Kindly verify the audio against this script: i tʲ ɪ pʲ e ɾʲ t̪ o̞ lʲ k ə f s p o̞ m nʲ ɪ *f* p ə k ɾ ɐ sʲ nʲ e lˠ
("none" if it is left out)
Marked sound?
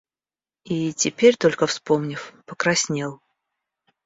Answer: f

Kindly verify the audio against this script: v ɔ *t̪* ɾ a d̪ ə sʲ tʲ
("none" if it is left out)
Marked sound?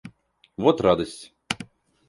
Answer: t̪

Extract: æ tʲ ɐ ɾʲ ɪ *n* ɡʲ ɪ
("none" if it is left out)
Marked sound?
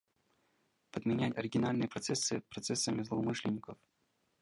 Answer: none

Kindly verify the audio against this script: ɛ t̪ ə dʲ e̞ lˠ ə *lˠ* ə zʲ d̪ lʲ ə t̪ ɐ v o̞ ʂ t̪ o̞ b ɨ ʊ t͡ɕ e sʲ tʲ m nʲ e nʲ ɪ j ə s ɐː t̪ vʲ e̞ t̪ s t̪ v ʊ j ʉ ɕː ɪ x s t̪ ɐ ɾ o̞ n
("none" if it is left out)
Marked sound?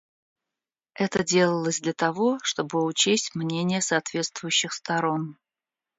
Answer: lˠ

